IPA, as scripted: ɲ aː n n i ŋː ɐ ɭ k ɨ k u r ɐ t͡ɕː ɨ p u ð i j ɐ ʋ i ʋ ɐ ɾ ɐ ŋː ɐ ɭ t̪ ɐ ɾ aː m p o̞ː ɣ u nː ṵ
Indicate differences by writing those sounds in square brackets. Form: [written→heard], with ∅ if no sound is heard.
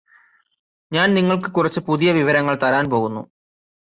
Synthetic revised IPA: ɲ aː n n i ŋː ɐ ɭ k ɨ k u r ɐ t͡ɕː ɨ p u ð i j ɐ ʋ i ʋ ɐ ɾ ɐ ŋː ɐ ɭ t̪ ɐ ɾ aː [m→n] p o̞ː ɣ u nː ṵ